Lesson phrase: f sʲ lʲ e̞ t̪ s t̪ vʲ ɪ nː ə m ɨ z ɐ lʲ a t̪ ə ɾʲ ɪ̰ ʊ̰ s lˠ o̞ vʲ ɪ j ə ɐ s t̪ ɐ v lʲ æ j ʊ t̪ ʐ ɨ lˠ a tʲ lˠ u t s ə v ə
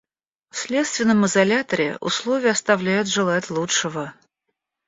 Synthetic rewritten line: f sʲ lʲ e̞ t̪ s t̪ vʲ ɪ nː ə m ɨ z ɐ lʲ a t̪ ə ɾʲ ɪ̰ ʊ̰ s lˠ o̞ vʲ ɪ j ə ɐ s t̪ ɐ v lʲ æ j ʊ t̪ ʐ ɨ lˠ a tʲ lˠ u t ʂ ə v ə